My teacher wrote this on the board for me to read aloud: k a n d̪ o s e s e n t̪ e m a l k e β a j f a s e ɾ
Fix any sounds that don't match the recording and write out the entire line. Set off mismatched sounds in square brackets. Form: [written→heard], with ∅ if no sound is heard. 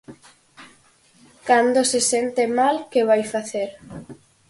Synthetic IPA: k a n d̪ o s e s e n t̪ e m a l k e β a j f a [s→θ] e ɾ

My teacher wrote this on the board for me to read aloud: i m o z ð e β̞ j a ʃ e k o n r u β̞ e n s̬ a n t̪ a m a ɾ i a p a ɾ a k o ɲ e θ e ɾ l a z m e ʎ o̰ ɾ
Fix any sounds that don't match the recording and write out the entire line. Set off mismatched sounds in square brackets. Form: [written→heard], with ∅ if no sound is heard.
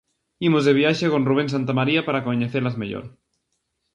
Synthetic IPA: i m o z ð e β̞ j a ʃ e k o n r u β̞ e n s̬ a n t̪ a m a ɾ i a p a ɾ a k o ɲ e θ e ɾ l a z m e ʎ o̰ ɾ

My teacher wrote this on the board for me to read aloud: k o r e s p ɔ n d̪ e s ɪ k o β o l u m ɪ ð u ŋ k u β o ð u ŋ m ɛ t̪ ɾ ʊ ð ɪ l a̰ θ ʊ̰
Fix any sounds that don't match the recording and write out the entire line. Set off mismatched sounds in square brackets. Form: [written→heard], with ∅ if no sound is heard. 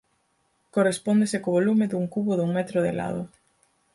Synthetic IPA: k o r e s p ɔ n d̪ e s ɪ k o β o l u m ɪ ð u ŋ k u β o ð u ŋ m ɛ t̪ ɾ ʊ ð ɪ l a̰ [θ→ð] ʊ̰

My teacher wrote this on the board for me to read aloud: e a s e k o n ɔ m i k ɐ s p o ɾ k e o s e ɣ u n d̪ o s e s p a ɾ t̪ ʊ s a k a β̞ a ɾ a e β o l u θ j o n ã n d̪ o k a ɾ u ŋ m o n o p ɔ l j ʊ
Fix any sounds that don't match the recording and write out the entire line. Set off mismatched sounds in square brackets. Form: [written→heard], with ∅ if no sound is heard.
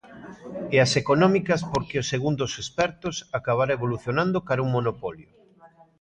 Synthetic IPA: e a s e k o n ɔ m i k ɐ s p o ɾ k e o s e ɣ u n d̪ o s e s p [a→ɛ] ɾ t̪ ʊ s a k a β̞ a ɾ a e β o l u θ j o n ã n d̪ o k a ɾ u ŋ m o n o p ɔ l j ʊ

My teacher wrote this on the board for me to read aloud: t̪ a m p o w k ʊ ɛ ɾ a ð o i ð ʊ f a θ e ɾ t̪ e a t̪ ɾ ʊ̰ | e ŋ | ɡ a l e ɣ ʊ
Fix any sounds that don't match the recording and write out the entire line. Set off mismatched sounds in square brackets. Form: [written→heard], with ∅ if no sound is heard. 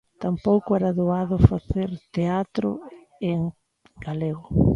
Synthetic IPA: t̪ a m p o w k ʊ ɛ ɾ a ð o [i→a] ð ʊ f a θ e ɾ t̪ e a t̪ ɾ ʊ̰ | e ŋ | ɡ a l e ɣ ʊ

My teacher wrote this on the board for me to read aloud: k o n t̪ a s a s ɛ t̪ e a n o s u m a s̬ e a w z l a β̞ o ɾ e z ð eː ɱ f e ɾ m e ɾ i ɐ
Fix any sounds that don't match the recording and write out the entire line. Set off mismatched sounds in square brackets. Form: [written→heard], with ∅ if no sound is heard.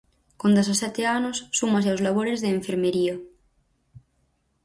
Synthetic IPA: k o n [t̪→d̪] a s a s ɛ t̪ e a n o [s→sː] u m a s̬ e a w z l a β̞ o ɾ e z ð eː ɱ f e ɾ m e ɾ i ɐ

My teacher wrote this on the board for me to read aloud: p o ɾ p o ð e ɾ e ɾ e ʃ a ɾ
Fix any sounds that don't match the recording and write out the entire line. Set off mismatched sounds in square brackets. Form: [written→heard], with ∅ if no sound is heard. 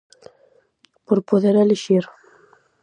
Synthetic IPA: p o ɾ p o ð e ɾ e [ɾ→l] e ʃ [a→i] ɾ

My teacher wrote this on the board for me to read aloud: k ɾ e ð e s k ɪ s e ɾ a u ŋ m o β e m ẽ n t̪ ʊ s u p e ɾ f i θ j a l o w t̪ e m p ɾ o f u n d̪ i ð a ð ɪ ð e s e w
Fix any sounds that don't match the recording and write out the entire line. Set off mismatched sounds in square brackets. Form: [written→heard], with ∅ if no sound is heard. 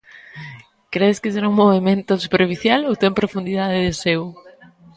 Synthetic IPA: k ɾ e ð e s k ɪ s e ɾ a u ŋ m o β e m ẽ n t̪ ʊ s u p e ɾ f i θ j a l o w t̪ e m p ɾ o f u n d̪ i ð a ð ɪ ð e s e w

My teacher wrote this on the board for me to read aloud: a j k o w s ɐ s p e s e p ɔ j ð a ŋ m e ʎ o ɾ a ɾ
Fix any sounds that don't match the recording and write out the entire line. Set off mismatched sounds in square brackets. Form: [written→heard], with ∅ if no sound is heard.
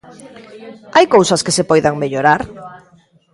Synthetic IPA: a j k o w s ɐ s [p→k] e s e p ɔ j ð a ŋ m e ʎ o ɾ a ɾ

